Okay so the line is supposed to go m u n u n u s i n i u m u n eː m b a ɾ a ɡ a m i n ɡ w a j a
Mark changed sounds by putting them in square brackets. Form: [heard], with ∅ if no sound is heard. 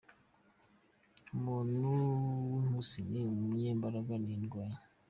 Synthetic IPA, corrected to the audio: m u n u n u s i n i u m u [ɲ] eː m b a ɾ a ɡ a [n] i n ɡ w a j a